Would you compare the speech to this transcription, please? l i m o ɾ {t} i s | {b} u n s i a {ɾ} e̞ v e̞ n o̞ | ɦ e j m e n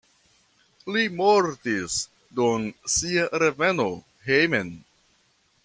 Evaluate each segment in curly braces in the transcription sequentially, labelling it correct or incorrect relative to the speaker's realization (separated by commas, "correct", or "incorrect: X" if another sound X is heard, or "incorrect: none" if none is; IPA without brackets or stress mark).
correct, incorrect: d, correct